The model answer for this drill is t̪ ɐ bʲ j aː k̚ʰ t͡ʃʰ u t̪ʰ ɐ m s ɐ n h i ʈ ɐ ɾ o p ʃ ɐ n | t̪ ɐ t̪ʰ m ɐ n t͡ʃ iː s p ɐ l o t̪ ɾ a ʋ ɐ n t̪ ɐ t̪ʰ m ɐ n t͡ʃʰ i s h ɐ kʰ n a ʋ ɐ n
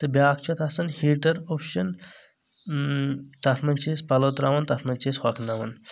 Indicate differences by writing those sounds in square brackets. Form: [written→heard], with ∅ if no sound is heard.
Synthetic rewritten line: t̪ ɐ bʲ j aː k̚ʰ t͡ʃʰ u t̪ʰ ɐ [m→∅] s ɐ n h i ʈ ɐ ɾ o p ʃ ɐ n | t̪ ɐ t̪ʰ m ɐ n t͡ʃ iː s p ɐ l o t̪ ɾ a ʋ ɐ n t̪ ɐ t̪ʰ m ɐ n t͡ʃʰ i s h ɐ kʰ n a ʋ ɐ n